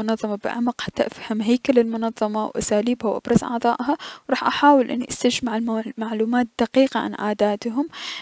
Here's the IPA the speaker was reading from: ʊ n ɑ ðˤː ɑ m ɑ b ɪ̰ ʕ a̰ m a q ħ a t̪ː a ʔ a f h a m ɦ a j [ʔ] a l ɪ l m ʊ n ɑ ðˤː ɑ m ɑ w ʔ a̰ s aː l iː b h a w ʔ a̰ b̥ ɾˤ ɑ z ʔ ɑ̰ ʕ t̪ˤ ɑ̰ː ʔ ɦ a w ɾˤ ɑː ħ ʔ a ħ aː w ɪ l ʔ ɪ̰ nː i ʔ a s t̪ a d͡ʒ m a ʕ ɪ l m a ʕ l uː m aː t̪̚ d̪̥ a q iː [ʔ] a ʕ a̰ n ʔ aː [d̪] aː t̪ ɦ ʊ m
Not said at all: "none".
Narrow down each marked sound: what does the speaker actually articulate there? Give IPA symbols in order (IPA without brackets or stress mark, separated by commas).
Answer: k, q, d̪